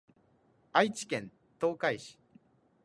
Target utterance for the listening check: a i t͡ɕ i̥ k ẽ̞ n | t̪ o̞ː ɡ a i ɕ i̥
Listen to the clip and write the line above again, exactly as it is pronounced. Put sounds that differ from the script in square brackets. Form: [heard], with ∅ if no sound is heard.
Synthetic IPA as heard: a i t͡ɕ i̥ k ẽ̞ n | t̪ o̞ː [k] a i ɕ i̥